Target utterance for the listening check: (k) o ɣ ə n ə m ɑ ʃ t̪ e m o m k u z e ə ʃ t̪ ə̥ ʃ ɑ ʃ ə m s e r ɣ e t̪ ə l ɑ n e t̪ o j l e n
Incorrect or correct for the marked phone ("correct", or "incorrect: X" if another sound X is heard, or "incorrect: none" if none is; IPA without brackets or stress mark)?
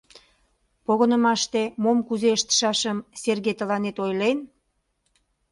incorrect: p